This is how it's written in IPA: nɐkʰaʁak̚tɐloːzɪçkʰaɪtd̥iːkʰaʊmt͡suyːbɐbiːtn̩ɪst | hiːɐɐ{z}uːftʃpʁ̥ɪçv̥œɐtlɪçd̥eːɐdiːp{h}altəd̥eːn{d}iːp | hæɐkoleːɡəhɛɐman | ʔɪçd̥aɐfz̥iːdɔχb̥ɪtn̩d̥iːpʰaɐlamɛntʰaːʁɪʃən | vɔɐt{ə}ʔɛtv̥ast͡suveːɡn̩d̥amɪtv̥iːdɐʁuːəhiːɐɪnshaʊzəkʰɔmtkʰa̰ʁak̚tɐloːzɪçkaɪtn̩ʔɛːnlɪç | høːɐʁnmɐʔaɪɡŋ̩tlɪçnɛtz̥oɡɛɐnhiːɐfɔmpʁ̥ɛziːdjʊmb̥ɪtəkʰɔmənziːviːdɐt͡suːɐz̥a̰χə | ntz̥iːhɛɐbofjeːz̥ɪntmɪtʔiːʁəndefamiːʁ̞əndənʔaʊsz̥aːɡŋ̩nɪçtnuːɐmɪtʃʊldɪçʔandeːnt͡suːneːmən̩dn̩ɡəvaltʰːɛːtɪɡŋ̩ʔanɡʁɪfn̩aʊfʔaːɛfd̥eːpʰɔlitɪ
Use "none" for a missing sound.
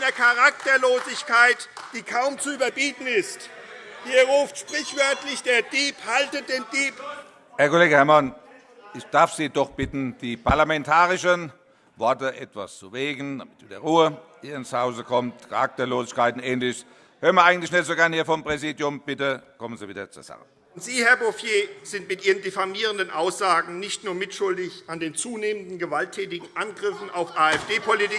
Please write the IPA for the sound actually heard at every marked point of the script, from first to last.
ʁ, h, d, ə

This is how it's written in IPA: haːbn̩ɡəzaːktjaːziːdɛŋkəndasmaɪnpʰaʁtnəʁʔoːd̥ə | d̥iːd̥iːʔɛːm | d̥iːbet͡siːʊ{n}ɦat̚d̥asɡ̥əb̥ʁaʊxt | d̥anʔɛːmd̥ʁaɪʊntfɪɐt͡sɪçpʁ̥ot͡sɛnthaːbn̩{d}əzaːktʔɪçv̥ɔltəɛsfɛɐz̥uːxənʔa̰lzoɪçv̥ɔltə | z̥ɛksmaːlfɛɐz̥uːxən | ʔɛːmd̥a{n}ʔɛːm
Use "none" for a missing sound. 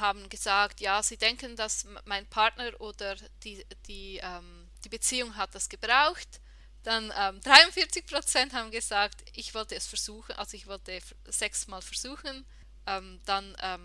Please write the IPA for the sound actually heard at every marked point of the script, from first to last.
ŋ, ɡ, n

